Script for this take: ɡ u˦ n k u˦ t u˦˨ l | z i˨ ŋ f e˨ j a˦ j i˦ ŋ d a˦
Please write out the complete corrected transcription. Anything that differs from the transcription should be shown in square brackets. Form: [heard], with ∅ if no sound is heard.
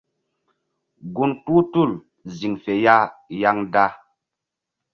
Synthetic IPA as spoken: ɡ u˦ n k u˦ t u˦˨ l | z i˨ ŋ f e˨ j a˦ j [a˦] ŋ d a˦